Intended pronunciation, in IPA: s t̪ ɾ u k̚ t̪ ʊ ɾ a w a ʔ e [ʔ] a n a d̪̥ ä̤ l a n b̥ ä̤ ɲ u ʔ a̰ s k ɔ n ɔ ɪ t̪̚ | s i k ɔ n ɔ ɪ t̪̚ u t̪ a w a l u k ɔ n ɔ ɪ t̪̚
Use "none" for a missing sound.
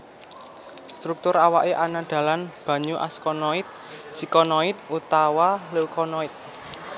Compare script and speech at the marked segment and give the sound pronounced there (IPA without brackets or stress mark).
ʔ